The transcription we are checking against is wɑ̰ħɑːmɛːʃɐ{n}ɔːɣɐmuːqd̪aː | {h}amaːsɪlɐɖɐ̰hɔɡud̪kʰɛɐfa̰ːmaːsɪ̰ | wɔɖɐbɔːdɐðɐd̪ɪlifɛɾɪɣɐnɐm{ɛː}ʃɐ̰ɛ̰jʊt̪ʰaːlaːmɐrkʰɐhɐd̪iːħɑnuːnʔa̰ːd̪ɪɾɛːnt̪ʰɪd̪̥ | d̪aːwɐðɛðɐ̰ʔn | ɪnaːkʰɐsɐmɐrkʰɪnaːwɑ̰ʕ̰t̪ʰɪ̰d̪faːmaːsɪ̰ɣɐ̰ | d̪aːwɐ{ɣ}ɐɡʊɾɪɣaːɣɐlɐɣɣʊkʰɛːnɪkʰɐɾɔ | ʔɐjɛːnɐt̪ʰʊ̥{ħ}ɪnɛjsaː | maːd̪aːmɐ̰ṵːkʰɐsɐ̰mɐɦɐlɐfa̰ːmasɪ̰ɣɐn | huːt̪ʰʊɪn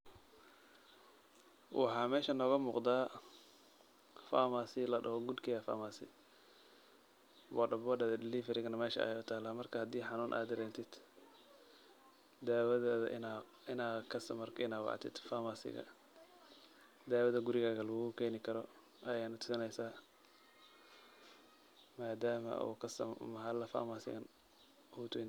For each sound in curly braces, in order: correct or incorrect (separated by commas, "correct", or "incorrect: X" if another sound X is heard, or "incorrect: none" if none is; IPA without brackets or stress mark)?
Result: correct, incorrect: f, correct, incorrect: ð, incorrect: s